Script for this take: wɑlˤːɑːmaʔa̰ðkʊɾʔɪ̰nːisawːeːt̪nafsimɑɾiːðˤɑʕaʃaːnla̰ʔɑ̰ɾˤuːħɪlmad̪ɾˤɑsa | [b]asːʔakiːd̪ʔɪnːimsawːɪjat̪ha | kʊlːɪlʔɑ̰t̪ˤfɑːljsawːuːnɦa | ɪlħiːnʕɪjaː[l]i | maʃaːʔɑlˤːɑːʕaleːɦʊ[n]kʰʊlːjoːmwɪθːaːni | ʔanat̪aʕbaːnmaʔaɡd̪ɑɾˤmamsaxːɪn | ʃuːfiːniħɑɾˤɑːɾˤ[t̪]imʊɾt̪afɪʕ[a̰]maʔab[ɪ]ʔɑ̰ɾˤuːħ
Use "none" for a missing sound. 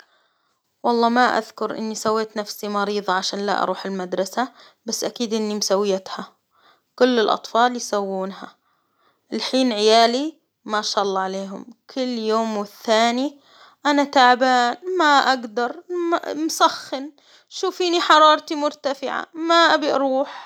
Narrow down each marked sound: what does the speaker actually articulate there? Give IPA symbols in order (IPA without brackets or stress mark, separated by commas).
b, l, m, t̪, a̰, i